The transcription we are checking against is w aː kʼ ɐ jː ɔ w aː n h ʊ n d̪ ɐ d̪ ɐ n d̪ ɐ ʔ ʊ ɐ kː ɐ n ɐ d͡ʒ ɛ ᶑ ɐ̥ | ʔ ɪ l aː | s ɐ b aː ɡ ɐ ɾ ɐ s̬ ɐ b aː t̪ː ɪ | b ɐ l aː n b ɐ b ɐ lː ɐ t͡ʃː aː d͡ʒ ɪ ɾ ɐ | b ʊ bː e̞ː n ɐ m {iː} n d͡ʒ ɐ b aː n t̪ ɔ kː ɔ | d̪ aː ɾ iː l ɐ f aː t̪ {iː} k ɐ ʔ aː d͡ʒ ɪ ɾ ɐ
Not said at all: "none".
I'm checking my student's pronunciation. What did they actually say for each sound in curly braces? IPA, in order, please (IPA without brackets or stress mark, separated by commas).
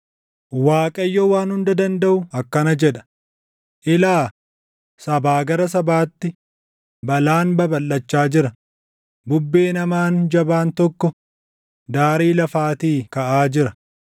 aː, iː